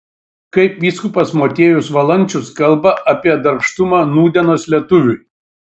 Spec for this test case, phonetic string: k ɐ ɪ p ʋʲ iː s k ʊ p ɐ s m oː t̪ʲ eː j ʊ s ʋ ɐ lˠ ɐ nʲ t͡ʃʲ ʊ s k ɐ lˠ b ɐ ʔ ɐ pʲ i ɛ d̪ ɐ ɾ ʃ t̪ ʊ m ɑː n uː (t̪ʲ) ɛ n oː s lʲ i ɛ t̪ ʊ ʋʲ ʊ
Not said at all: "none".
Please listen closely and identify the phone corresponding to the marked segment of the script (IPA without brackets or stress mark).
d̪ʲ